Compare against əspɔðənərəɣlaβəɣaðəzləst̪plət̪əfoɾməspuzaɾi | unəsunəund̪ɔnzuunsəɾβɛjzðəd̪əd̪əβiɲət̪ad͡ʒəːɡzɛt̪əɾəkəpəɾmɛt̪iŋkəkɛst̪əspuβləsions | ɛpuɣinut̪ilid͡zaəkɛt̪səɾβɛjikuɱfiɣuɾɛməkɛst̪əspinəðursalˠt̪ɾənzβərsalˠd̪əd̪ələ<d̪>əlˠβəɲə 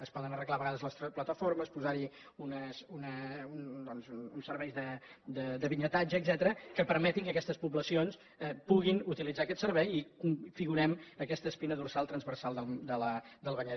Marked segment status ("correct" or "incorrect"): correct